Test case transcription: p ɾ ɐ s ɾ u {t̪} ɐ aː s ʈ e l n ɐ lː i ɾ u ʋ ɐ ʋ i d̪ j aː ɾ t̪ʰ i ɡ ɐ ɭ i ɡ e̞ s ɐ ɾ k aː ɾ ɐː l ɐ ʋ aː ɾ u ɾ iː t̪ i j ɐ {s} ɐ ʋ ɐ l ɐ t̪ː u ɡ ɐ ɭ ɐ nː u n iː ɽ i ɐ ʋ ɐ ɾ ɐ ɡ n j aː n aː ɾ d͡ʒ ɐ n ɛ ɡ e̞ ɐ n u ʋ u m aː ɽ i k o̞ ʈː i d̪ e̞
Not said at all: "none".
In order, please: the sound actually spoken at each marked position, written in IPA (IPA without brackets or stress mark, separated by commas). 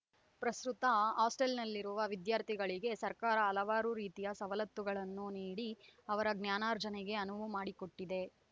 t̪, s